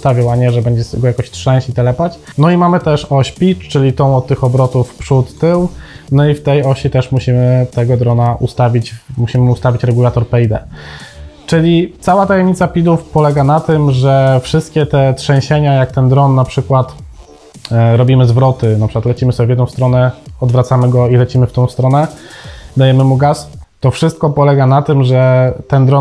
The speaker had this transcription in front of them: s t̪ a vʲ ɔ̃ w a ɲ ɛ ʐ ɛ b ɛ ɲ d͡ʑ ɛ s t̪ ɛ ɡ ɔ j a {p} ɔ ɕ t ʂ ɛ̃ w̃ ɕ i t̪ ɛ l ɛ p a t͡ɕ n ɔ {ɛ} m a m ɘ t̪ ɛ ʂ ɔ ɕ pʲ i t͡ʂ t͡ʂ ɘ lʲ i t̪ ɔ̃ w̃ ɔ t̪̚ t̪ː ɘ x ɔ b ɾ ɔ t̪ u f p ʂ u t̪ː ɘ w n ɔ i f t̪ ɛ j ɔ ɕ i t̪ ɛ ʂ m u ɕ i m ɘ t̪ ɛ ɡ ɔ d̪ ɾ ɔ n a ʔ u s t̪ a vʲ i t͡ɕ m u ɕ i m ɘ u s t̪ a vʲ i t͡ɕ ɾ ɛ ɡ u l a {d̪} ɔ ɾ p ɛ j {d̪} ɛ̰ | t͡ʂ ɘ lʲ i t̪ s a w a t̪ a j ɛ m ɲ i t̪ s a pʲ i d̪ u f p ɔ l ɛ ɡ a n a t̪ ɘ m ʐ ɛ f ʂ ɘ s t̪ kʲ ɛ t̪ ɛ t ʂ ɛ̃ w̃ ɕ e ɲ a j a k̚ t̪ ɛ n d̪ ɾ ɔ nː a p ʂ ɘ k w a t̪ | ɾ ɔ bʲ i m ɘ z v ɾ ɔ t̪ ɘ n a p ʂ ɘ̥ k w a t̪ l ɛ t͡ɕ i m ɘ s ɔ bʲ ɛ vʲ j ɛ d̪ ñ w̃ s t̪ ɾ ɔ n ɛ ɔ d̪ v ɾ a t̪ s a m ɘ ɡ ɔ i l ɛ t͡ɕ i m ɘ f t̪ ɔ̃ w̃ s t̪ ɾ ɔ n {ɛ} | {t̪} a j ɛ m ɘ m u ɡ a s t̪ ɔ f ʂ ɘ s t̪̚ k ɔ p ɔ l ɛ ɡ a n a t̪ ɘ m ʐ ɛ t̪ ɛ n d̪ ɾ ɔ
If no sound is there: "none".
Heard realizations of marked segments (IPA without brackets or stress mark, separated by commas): k, i, t̪, d̪, ɛ, d̪